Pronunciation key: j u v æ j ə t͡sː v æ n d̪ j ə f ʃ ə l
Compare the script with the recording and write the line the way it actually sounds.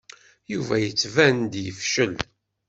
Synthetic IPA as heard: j u v æ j ə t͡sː v æ n d̪ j ə f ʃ ə l

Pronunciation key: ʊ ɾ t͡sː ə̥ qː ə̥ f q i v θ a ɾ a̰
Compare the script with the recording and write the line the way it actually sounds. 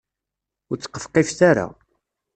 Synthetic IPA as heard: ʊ ɾ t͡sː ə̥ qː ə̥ f q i f θ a ɾ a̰

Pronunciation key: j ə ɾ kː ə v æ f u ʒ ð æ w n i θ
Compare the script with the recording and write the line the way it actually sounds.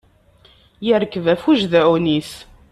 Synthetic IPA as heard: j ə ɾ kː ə v æ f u ʒ ð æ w n i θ

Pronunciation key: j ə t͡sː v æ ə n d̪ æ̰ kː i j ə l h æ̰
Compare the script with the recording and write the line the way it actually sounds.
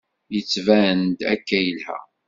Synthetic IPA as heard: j ə t͡sː v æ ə n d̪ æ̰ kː æ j ə l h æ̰

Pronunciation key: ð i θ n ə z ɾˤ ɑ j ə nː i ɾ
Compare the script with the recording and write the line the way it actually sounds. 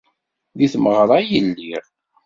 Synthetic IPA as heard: ð i θ m ə ʁ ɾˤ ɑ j ə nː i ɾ

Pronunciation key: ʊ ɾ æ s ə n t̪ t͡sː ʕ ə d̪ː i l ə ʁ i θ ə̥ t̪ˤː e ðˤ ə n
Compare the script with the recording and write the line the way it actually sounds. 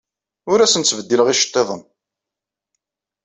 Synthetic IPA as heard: ʊ ɾ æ s ə n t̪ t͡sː v ə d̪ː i l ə ʁ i ʃ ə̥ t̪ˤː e ðˤ ə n

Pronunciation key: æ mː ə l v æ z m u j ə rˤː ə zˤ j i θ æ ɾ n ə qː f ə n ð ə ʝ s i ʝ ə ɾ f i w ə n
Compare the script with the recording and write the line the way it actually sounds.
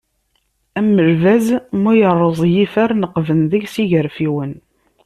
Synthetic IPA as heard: æ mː ə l v æ z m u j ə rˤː ə zˤ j i f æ ɾ n ə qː v ə n ð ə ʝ s i ʝ ə ɾ f i w ə n

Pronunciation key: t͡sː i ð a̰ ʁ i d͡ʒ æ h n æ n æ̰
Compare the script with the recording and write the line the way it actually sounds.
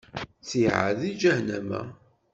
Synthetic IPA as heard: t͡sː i ʕ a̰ ð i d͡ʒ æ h n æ m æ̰

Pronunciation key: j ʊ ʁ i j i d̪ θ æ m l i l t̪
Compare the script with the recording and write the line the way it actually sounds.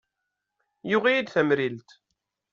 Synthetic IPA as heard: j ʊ ʁ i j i d̪ θ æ m ɾ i l t̪

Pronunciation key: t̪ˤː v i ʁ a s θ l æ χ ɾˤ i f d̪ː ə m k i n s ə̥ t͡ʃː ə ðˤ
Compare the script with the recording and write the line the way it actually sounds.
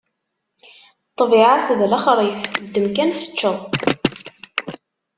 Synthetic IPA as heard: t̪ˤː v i ʕ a s ð l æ χ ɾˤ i f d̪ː ə m k æ n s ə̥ t͡ʃː ə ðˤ

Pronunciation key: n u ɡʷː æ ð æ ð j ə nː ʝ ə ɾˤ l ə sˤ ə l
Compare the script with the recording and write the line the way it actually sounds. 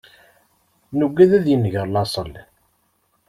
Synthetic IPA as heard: n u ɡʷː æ ð æ ð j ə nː ʝ ə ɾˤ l ɑ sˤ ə l

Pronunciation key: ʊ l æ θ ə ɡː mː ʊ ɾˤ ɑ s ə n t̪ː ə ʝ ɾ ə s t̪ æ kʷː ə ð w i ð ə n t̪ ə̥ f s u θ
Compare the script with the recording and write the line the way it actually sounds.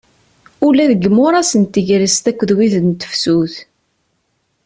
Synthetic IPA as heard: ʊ l æ ð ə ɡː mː ʊ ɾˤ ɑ s ə n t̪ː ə ʝ ɾ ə s t̪ æ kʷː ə ð w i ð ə n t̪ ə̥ f s u θ

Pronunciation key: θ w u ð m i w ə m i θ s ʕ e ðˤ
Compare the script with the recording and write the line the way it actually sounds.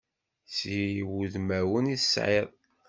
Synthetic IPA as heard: s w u ð m æ w ə n i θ s ʕ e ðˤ

